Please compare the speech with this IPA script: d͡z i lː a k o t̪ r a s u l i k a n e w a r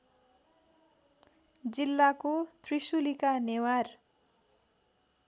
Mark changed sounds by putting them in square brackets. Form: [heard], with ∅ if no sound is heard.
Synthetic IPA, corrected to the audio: d͡z i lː a k o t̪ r [i] s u l i k a n e w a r